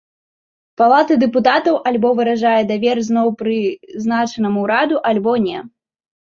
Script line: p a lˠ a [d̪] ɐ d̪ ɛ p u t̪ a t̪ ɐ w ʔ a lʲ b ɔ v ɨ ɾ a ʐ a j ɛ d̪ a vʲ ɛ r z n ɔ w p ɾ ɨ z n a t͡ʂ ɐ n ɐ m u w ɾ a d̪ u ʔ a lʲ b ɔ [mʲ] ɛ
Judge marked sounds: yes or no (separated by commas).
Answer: no, no